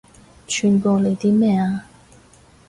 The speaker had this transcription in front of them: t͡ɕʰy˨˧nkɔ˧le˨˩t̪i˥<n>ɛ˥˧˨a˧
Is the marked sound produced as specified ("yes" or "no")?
no